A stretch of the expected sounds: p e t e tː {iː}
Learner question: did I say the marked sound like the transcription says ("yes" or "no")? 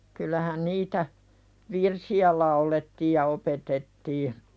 yes